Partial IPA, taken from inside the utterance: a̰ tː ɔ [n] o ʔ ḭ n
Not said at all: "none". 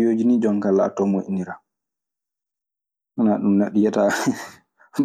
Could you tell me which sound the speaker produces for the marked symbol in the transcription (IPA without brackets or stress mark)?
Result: m